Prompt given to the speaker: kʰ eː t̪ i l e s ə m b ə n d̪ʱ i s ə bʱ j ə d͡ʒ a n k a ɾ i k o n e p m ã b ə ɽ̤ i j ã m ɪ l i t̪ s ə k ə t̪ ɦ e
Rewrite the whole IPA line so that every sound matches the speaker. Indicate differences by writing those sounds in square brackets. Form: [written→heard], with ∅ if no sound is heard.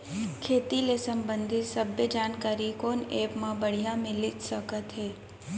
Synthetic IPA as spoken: kʰ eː t̪ i l e s ə m b ə n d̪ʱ i s ə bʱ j ə d͡ʒ a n k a ɾ i k o n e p m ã b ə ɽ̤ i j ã m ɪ l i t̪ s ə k ə t̪ ɦ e

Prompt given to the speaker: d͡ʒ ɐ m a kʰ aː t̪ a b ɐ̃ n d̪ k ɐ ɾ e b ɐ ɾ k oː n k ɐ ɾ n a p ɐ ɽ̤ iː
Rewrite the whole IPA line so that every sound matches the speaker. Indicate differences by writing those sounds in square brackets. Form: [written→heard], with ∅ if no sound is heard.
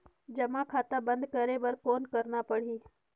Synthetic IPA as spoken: d͡ʒ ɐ m a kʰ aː t̪ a b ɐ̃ n d̪ k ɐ ɾ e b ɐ ɾ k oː n k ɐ ɾ n a p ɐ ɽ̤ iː

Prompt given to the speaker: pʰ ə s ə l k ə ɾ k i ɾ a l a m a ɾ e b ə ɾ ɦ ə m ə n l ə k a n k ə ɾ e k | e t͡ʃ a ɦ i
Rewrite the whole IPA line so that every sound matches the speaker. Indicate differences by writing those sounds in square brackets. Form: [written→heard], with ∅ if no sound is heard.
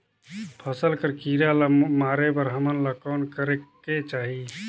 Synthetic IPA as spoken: pʰ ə s ə l k ə ɾ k i ɾ a l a m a ɾ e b ə ɾ ɦ ə m ə n l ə k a n k ə ɾ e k | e t͡ʃ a ɦ i

